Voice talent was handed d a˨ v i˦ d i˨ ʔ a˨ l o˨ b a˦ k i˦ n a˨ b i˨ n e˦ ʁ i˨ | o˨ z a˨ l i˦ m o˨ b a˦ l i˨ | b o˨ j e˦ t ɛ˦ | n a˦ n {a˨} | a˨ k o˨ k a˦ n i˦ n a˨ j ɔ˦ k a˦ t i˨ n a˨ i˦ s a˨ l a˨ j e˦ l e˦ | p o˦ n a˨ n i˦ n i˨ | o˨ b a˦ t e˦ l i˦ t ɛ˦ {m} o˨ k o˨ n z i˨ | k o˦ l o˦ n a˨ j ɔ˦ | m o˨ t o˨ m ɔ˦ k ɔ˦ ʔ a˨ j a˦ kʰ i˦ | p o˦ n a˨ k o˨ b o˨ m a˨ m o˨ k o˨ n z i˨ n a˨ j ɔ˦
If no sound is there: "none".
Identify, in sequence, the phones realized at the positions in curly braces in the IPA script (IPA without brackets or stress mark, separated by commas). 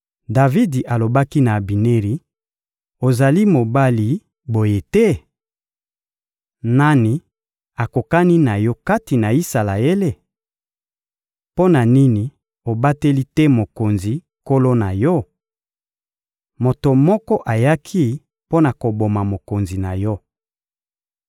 i˨, m